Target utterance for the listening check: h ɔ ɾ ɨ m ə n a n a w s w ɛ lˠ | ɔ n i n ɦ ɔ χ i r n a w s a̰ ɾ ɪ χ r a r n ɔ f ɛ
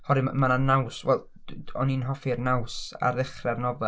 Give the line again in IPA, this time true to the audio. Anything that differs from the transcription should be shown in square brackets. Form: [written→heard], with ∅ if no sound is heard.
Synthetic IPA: h ɔ ɾ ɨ m [ə→a] n a n a w s w ɛ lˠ | ɔ n i n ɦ ɔ [χ→f] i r n a w s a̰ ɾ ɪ χ r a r n ɔ [f→v] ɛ